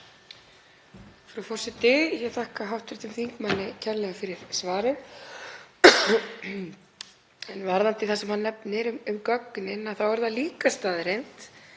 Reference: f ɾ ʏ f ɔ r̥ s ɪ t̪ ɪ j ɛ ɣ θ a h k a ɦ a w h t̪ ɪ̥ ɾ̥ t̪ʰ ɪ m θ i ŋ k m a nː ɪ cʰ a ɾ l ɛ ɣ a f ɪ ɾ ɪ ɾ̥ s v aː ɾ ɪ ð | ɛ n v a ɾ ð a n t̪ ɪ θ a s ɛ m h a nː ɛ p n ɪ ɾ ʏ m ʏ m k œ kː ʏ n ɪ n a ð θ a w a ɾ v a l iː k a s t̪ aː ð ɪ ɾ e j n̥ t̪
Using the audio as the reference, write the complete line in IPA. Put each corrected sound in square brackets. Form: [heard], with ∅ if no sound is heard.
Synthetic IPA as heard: f ɾ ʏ f ɔ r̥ s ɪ t̪ ɪ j ɛ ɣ θ a h k a ɦ a w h t̪ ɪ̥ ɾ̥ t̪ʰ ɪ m θ i ŋ k m a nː ɪ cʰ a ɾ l ɛ ɣ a f ɪ ɾ ɪ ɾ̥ s v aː ɾ ɪ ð | ɛ n v a ɾ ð a n t̪ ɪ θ a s ɛ m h a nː ɛ p n ɪ ɾ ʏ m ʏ m k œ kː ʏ n ɪ n a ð θ a w [ɛ] ɾ [ð] a l iː k a s t̪ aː ð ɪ ɾ e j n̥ t̪